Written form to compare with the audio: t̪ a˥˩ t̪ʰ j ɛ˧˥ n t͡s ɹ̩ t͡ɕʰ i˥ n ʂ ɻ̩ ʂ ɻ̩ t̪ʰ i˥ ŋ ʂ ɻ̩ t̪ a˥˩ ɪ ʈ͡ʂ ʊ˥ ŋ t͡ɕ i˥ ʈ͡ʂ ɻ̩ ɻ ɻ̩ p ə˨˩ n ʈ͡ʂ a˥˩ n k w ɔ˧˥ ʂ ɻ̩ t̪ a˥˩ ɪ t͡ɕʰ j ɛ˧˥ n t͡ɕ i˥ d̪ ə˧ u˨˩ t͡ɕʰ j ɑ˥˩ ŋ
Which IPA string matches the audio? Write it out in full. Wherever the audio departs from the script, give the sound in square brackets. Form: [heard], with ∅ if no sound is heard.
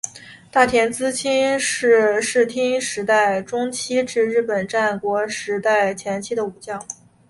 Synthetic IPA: t̪ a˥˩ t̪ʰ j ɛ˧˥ n t͡s ɹ̩ t͡ɕʰ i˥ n ʂ ɻ̩ ʂ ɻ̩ t̪ʰ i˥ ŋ ʂ ɻ̩ t̪ a˥˩ ɪ ʈ͡ʂ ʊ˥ ŋ [t͡ɕʰ] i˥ ʈ͡ʂ ɻ̩ ɻ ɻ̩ p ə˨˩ n ʈ͡ʂ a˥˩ n k w ɔ˧˥ ʂ ɻ̩ t̪ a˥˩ ɪ t͡ɕʰ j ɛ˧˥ n [t͡ɕʰ] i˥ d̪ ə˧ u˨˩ [t͡ɕ] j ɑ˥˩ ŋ